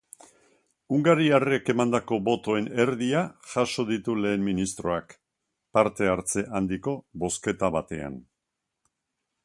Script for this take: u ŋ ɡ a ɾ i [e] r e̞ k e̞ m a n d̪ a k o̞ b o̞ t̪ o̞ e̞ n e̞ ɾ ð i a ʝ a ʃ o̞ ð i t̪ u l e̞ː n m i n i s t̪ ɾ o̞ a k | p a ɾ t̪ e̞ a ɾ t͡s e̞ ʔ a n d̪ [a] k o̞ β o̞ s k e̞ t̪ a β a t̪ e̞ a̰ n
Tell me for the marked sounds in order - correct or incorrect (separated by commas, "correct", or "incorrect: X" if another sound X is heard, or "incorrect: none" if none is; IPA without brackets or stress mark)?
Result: incorrect: a, incorrect: i